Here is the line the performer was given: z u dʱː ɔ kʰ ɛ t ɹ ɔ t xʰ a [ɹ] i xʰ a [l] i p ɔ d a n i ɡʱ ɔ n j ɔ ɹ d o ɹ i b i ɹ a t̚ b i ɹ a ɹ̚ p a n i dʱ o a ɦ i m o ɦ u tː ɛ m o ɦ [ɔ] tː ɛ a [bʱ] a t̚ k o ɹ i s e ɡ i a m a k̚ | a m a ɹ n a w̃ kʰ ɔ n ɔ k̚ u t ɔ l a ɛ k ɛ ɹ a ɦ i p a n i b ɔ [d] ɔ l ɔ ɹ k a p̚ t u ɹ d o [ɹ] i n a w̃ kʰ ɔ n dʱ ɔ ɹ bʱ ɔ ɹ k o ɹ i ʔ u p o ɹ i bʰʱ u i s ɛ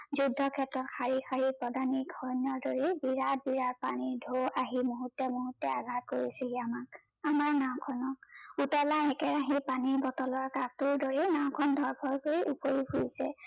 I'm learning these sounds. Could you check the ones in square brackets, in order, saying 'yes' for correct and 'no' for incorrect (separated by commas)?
yes, no, no, no, no, yes